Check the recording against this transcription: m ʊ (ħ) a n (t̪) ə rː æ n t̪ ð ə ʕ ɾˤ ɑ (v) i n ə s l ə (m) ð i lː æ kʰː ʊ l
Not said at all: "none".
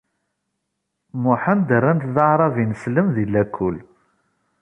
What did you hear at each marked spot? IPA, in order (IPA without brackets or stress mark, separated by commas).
ħ, d̪, v, m